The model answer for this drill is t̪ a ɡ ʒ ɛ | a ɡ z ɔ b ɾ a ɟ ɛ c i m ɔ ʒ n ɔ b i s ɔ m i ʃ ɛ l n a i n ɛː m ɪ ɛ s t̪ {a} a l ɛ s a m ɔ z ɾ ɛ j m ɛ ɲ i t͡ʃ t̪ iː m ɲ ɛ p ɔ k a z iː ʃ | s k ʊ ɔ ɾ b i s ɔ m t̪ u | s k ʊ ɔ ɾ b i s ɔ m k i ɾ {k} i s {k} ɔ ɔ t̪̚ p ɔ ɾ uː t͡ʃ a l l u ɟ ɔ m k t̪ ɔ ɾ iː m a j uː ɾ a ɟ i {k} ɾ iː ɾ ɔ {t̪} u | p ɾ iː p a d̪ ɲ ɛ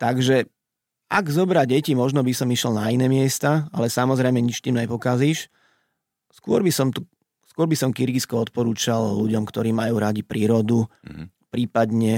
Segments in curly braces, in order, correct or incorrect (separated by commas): correct, incorrect, correct, incorrect, incorrect